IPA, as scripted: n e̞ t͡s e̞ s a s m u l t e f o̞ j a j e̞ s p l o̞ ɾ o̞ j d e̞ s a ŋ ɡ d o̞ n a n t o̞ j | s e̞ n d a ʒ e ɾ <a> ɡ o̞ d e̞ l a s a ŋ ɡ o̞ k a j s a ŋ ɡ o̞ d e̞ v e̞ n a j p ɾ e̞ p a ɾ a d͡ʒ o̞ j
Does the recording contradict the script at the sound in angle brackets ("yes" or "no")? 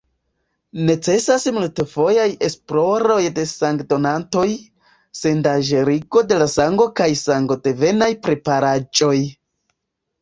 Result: yes